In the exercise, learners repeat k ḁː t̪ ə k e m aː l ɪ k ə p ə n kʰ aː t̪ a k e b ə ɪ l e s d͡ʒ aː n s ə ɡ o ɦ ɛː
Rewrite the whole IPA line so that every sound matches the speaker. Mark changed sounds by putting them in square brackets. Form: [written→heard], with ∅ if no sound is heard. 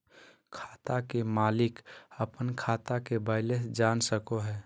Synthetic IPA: [k→kʰ] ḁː t̪ [ə→a] k e m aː l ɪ k ə p ə n kʰ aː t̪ a k e b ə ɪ l e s d͡ʒ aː n s ə [ɡ→k] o ɦ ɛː